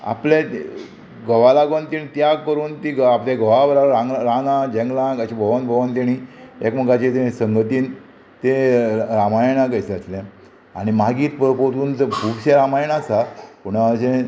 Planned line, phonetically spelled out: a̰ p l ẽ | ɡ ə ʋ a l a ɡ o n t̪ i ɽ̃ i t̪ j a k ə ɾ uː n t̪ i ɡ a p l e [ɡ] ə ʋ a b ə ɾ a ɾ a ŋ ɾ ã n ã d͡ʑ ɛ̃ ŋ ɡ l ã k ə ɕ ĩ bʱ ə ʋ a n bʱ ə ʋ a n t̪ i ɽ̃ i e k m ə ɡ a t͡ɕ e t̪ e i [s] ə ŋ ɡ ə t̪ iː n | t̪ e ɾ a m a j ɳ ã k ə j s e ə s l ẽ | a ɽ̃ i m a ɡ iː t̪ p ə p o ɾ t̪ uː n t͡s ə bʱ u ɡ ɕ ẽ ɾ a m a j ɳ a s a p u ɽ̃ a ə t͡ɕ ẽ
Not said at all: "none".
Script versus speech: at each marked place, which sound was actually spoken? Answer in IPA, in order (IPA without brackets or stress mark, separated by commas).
ɡ, s